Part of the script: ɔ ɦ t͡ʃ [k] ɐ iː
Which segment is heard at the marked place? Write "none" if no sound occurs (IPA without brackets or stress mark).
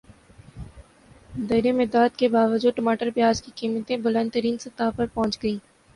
ɡ